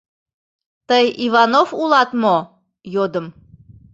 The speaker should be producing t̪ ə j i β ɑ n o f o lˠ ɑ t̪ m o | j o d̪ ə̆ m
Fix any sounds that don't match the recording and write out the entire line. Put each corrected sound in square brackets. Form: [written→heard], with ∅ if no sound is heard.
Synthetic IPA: t̪ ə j i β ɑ n o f [o→u] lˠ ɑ t̪ m o | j o d̪ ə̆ m